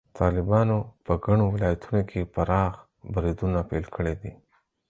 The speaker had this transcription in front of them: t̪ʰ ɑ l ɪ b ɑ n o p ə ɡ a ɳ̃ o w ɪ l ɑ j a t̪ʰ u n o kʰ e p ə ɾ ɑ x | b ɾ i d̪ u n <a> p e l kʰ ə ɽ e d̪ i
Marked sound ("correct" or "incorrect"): correct